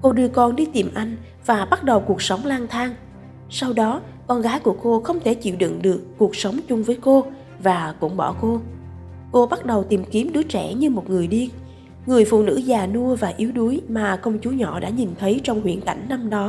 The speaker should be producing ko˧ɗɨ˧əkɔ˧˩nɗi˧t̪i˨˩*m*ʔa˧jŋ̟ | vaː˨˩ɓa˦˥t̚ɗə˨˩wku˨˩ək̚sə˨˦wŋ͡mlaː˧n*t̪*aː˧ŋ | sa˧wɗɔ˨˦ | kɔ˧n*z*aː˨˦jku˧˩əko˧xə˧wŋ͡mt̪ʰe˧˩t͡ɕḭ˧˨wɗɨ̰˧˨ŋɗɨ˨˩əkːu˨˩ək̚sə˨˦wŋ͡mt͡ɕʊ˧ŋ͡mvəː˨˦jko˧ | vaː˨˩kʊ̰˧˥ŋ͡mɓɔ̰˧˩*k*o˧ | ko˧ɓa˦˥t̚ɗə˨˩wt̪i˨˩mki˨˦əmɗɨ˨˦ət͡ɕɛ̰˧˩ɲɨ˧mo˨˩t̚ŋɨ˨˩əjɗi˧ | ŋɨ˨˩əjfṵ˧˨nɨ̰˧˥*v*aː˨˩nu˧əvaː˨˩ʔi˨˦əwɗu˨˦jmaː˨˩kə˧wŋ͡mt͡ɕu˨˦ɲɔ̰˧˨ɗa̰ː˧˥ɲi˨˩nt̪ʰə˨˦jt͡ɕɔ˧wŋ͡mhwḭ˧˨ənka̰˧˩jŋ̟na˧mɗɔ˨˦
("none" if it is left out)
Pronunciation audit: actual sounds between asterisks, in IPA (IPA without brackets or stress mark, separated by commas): m, t̪ʰ, ɣ, k, z